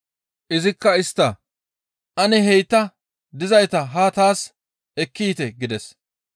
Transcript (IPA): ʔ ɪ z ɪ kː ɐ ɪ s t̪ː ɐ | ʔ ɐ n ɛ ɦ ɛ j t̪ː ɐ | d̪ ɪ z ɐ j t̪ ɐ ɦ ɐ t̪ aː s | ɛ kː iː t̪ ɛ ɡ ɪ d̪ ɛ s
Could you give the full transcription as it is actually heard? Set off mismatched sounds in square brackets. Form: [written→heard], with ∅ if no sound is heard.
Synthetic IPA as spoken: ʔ ɪ z ɪ kː ɐ ɪ s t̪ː ɐ | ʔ ɐ n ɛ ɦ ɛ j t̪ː ɐ | d̪ ɪ z ɐ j t̪ ɐ ɦ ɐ t̪ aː s | ɛ kː iː t̪ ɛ ɡ ɪ d̪ ɛ s